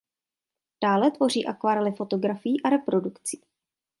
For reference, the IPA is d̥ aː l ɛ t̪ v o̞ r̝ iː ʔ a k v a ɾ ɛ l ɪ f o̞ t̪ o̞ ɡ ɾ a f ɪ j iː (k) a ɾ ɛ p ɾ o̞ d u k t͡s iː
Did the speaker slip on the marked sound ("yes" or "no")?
yes